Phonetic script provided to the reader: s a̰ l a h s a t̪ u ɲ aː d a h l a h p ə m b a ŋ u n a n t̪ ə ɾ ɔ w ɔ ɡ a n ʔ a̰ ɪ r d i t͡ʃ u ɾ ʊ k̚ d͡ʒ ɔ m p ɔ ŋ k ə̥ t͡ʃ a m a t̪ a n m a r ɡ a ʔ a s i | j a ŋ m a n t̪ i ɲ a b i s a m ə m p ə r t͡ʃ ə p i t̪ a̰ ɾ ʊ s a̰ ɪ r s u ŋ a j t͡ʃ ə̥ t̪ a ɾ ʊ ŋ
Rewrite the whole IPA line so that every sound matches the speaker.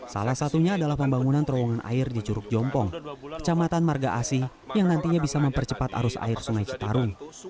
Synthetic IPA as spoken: s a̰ l a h s a t̪ u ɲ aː d a l a h p ə m b a ŋ u n a n t̪ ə ɾ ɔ w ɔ ŋ a n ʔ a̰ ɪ r d i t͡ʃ u ɾ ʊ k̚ d͡ʒ ɔ m p ɔ ŋ k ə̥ t͡ʃ a m a t̪ a n m a r ɡ a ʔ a s i | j a ŋ n a n t̪ i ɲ a b i s a m ə m p ə r t͡ʃ ə p a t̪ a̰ ɾ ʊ s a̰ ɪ r s u ŋ a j t͡ʃ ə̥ t̪ a ɾ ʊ ŋ